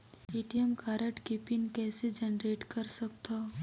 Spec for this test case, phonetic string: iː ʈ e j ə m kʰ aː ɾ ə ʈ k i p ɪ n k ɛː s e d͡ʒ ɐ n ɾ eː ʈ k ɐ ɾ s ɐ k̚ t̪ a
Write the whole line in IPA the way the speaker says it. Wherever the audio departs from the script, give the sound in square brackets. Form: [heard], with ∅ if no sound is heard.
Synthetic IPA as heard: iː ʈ [i] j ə m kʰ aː ɾ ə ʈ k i p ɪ n k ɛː s e d͡ʒ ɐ n ɾ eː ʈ k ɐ ɾ s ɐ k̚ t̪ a